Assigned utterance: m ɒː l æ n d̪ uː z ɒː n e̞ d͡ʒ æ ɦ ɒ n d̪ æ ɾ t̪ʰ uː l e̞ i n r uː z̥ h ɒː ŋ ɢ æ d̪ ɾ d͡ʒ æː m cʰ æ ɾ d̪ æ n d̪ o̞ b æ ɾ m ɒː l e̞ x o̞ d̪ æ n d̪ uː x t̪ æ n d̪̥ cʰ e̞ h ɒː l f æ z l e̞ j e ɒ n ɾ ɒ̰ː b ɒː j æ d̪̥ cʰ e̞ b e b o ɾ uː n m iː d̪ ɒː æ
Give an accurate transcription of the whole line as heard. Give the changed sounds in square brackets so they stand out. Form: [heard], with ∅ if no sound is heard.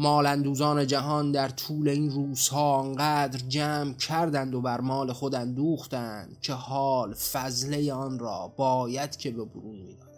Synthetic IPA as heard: m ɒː l æ n d̪ uː z ɒː n e̞ d͡ʒ æ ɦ ɒ n d̪ æ ɾ t̪ʰ uː l e̞ i n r uː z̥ h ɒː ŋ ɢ æ d̪ ɾ d͡ʒ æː m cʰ æ ɾ d̪ æ n d̪ o̞ b æ ɾ m ɒː l e̞ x o̞ d̪ æ n d̪ uː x t̪ æ n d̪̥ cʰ e̞ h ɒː l f æ z l e̞ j e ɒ n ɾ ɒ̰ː b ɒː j æ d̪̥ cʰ e̞ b e b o ɾ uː n m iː d̪ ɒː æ